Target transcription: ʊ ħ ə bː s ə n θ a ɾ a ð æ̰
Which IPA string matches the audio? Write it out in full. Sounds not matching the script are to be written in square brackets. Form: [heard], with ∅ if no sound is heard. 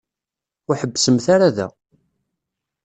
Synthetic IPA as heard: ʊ ħ ə bː s ə [m] θ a ɾ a ð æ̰

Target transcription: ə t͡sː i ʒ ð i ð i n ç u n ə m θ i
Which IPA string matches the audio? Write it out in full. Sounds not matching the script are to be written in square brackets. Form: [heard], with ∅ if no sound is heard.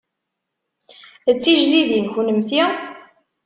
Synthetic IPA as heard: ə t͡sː i ʒ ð i ð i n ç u n ə m θ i

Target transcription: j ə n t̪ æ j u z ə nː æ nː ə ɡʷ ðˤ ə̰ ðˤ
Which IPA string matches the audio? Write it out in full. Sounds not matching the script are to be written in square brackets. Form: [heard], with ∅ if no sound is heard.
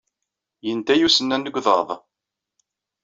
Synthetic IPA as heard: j ə n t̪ æ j u [s] ə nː æ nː ə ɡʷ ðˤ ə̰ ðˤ

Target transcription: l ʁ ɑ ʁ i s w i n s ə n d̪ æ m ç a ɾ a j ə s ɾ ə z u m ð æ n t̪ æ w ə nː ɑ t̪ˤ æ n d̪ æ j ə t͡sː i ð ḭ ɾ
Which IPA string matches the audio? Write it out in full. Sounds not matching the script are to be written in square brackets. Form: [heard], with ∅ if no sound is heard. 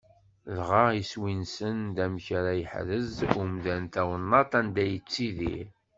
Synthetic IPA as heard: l ʁ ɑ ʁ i s w i n s ə n d̪ æ m ç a ɾ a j ə [ħ] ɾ ə z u m ð æ n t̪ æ w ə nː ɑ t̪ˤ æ n d̪ æ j ə t͡sː i ð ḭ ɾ

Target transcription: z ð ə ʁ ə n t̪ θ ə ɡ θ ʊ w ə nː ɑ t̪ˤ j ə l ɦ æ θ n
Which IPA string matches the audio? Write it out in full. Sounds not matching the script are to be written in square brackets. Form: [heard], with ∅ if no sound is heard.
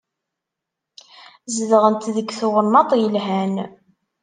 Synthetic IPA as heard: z ð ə ʁ ə n t̪ [ð] ə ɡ θ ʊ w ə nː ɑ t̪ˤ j ə l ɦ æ [∅] n

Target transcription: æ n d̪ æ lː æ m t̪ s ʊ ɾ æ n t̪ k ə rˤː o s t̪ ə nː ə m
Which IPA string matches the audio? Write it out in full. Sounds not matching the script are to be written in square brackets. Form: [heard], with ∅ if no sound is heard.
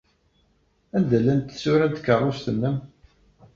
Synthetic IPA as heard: æ n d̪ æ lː æ [n] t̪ s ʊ ɾ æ n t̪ k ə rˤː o s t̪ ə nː ə m

